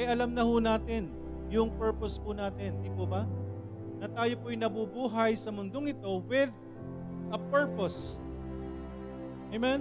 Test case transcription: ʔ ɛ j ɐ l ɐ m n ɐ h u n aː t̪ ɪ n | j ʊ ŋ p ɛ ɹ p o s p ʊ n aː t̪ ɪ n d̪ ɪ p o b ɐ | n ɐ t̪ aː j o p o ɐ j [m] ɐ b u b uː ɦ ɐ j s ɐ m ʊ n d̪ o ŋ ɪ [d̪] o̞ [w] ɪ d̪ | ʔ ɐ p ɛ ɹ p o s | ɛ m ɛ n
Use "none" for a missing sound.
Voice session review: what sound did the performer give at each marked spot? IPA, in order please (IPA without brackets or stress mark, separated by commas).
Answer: n, t̪, w